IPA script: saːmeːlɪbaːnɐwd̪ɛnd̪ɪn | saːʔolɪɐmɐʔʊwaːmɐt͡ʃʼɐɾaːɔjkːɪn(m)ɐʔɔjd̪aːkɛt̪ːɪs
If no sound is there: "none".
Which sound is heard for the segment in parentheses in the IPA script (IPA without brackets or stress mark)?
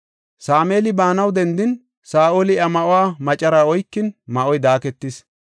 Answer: m